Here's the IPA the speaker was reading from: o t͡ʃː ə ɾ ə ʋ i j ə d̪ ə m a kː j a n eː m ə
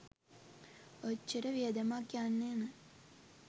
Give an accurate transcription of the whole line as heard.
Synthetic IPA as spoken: o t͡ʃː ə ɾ ə ʋ i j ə d̪ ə m a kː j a nː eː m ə